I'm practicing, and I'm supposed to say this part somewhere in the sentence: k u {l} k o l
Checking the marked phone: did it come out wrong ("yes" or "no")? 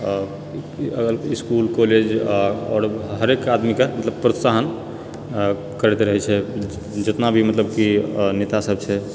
no